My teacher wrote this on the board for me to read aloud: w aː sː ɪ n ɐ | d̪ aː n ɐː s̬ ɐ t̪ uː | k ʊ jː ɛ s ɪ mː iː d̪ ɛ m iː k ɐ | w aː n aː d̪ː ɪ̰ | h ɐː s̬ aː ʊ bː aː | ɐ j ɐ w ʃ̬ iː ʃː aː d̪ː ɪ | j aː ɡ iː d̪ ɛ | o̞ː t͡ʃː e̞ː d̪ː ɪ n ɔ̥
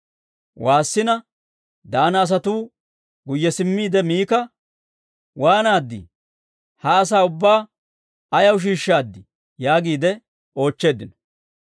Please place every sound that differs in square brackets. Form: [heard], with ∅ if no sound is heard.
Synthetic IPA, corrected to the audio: w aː sː ɪ n ɐ | d̪ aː n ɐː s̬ ɐ t̪ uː | [ɡ] ʊ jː ɛ s ɪ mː iː d̪ ɛ m iː k ɐ | w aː n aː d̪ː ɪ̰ | h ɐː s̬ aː ʊ bː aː | ɐ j ɐ w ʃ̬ iː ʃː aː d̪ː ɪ | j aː ɡ iː d̪ ɛ | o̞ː t͡ʃː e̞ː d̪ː ɪ n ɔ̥